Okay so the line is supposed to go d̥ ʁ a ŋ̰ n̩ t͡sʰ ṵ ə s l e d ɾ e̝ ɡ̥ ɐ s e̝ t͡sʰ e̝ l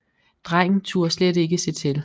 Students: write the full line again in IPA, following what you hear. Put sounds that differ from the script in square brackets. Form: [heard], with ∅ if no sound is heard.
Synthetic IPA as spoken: d̥ ʁ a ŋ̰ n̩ t͡sʰ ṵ [ɐ] s l e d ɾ e̝ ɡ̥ [ə] s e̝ t͡sʰ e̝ l